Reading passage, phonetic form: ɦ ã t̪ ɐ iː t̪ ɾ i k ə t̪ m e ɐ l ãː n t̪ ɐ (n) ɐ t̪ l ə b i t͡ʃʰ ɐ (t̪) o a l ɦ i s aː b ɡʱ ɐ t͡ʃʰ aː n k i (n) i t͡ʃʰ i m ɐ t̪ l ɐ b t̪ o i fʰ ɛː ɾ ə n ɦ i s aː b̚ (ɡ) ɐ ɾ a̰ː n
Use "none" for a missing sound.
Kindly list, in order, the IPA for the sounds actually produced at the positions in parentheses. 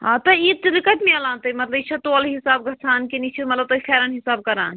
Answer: m, t̪, n, k

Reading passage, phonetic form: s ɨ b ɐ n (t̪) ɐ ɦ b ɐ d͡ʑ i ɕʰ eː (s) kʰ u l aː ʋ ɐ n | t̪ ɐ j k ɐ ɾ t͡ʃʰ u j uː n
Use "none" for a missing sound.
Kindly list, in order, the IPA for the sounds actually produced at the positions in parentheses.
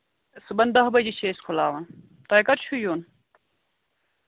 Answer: d̪, s

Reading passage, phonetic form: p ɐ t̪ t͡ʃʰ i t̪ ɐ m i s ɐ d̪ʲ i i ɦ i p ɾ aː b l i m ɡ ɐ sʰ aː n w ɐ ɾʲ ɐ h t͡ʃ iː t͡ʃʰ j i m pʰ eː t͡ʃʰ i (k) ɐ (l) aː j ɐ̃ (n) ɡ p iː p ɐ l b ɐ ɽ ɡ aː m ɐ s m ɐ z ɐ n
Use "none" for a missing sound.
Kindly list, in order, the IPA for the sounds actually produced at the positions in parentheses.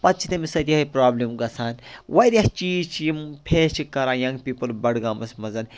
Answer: k, ɾ, ŋ

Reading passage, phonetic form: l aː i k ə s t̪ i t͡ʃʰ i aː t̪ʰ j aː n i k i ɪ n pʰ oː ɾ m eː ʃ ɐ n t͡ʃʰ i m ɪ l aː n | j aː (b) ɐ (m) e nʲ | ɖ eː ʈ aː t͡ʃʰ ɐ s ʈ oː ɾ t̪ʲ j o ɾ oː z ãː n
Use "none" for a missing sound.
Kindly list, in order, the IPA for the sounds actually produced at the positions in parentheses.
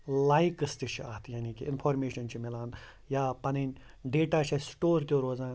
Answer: p, n

